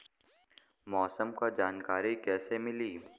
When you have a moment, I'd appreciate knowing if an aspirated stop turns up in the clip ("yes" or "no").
no